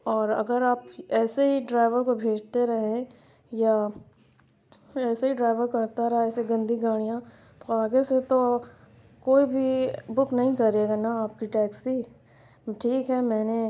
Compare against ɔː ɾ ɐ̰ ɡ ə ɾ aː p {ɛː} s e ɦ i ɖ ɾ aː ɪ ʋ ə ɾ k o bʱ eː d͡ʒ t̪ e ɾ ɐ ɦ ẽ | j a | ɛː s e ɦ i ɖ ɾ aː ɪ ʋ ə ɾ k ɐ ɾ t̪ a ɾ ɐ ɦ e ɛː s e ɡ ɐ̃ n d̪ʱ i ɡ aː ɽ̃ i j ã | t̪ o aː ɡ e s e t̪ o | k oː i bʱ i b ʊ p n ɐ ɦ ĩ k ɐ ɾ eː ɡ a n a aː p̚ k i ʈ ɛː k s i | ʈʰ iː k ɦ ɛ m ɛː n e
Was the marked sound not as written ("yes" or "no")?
no